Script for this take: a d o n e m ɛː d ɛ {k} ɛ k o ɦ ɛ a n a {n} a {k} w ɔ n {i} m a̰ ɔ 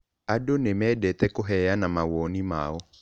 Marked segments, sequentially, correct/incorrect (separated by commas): incorrect, incorrect, incorrect, correct